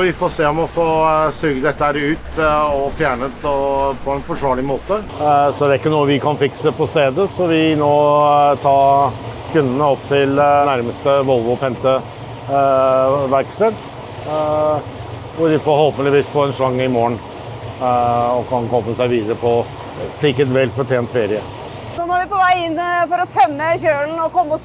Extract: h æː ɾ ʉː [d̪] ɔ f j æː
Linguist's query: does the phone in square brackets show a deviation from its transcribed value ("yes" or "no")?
yes